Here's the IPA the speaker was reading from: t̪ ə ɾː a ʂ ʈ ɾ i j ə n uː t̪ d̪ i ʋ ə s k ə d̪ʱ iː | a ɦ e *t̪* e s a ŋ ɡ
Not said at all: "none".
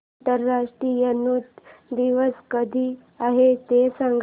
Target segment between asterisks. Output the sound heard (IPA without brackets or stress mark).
t̪